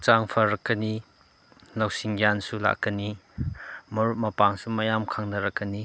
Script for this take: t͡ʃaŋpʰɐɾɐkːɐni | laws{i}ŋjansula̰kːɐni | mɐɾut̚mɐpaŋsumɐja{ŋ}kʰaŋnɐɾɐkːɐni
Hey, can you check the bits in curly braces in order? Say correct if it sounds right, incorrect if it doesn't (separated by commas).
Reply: correct, incorrect